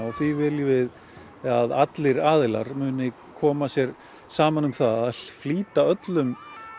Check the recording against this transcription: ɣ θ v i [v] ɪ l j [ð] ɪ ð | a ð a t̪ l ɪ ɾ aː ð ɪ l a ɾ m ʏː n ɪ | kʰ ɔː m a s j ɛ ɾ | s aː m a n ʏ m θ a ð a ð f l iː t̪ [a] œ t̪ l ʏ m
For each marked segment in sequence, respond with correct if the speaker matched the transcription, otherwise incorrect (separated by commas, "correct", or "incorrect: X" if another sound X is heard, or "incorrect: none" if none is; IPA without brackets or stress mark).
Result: correct, incorrect: v, correct